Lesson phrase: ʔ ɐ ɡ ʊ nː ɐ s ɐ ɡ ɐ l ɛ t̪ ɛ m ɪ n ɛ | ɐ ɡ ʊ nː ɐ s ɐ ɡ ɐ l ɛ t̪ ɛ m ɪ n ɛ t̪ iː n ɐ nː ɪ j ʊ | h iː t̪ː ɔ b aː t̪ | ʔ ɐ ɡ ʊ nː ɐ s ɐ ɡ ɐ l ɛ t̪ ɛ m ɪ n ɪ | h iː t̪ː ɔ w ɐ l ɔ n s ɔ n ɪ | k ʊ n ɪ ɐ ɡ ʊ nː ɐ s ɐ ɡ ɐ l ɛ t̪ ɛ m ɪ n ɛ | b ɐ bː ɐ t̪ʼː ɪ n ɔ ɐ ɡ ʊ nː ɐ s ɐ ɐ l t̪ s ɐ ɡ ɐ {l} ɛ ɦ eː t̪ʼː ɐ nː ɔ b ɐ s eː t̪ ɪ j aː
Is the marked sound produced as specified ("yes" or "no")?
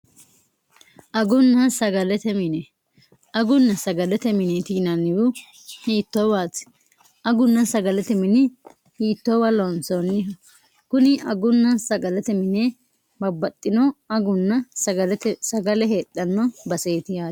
yes